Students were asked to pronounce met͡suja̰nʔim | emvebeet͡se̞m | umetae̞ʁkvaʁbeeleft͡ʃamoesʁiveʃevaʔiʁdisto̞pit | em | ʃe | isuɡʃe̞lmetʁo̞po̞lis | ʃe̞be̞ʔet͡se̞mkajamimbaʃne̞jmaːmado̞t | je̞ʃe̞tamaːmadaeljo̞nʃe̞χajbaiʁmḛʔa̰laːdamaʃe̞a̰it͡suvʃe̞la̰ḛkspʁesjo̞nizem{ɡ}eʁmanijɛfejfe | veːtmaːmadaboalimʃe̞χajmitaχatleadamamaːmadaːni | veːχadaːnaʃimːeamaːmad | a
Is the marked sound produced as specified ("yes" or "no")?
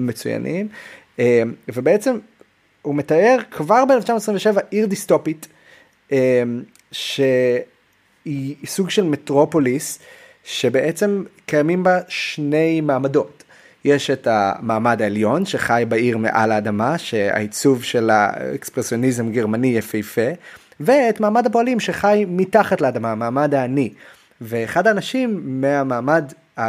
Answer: yes